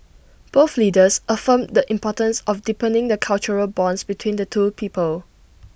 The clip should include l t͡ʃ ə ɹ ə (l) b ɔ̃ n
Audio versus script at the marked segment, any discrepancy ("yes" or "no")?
no